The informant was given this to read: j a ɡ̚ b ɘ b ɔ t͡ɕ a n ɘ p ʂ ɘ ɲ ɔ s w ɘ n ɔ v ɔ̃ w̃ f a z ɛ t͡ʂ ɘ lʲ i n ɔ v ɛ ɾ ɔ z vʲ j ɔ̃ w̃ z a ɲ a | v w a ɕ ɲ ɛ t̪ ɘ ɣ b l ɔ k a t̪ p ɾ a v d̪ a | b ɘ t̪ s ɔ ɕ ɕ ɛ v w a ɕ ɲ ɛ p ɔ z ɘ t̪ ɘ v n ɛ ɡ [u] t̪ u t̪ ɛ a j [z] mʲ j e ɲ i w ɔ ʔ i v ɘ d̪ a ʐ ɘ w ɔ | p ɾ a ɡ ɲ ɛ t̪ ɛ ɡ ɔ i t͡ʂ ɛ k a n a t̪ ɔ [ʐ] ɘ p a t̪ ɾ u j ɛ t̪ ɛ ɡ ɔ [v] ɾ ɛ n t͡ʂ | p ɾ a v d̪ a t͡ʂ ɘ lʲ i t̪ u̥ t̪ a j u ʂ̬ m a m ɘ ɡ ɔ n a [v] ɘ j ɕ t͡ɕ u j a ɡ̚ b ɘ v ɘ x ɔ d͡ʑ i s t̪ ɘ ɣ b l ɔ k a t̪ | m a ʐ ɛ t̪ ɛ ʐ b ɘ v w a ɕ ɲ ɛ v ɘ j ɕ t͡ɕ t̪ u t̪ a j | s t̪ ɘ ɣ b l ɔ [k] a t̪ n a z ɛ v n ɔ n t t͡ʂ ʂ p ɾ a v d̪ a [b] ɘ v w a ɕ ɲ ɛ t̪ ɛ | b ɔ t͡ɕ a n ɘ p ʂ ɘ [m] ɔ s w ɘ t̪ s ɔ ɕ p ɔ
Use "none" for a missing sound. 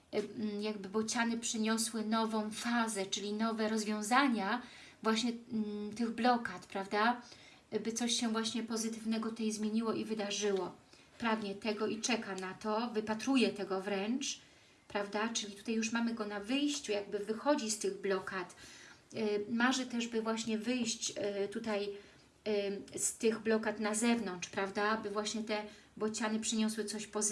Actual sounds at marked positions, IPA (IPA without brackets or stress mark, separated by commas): ɔ, z, v, v, v, k, b, ɲ